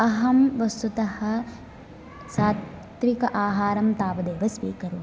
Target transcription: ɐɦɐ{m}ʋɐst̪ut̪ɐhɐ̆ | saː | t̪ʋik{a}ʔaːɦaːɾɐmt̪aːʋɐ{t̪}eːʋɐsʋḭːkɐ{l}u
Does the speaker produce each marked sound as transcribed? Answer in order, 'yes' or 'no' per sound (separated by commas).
yes, no, no, no